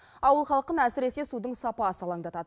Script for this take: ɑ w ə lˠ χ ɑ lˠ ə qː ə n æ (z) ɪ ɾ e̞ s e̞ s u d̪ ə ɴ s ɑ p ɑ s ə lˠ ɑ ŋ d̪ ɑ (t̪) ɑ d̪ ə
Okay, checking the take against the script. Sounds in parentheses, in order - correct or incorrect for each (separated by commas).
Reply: incorrect, correct